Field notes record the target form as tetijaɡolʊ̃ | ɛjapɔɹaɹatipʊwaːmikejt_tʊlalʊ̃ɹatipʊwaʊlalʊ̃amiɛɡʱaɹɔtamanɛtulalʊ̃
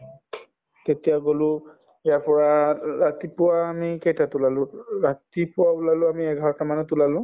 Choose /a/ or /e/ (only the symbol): a